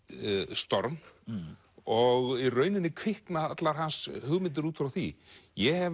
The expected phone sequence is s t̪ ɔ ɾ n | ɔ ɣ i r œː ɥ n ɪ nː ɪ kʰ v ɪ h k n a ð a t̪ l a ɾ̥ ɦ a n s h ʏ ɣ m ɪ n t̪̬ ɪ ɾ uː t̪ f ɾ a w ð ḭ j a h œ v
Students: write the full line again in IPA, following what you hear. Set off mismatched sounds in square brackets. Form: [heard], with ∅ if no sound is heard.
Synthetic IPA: s t̪ ɔ ɾ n | ɔ ɣ i r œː ɥ n ɪ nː ɪ kʰ v ɪ h k n a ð a t̪ l a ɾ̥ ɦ a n s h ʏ ɣ m ɪ n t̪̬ ɪ ɾ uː t̪ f ɾ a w [θ] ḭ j [ɛ] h [ɛ] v